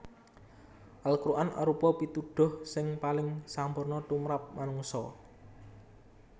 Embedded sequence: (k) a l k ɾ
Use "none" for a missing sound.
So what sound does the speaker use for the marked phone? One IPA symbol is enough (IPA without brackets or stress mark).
ʔ